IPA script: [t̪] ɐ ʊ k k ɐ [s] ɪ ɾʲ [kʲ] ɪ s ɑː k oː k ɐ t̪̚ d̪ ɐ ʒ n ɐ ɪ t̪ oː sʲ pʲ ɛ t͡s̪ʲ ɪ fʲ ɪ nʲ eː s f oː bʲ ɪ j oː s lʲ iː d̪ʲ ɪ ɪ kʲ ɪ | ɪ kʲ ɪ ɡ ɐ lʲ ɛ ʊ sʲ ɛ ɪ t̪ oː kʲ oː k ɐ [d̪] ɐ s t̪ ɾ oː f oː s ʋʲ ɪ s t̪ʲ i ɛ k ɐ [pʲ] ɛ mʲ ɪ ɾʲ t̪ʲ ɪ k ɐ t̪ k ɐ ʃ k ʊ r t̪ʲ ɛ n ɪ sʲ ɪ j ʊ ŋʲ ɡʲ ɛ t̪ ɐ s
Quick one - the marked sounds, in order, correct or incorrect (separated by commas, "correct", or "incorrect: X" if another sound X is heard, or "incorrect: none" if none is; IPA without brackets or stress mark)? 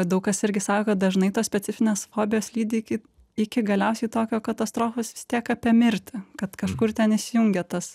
incorrect: d̪, correct, incorrect: ɡʲ, incorrect: t̪, correct